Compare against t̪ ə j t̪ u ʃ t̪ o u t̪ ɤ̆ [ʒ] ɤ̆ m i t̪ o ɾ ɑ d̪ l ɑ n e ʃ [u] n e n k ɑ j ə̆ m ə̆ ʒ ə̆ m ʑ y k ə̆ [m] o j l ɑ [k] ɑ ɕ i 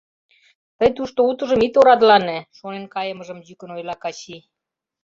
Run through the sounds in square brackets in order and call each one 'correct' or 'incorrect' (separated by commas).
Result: correct, incorrect, incorrect, correct